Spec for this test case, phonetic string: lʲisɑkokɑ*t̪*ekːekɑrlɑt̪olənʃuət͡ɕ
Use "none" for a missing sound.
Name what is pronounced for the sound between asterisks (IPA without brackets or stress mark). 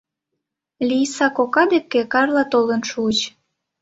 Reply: d̪